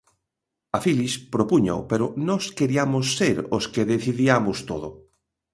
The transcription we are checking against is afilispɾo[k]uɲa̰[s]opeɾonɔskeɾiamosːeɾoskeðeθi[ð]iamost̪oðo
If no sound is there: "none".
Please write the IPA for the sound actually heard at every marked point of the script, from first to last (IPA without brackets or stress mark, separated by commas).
p, none, ð